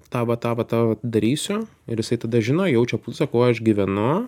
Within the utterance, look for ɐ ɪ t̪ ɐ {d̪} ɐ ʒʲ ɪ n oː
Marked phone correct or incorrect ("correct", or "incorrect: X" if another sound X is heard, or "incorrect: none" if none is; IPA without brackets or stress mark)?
correct